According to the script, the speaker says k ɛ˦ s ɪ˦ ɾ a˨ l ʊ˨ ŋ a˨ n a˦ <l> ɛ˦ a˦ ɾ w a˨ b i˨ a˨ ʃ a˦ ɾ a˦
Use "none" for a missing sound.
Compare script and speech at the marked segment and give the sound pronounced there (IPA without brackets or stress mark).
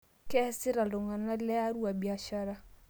l